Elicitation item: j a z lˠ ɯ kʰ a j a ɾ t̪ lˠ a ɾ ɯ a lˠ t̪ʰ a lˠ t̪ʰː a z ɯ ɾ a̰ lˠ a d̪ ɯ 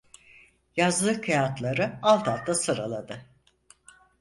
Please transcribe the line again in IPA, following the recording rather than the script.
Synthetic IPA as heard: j a z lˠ ɯ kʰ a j a t̪ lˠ a ɾ ɯ a lˠ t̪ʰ a lˠ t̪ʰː a s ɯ ɾ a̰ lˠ a d̪ ɯ